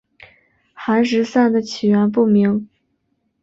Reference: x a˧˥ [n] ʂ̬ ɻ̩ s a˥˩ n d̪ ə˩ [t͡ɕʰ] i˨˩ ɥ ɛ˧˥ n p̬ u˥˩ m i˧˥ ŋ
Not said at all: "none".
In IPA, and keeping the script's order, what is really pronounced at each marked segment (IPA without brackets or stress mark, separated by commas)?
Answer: n, t͡ɕʰ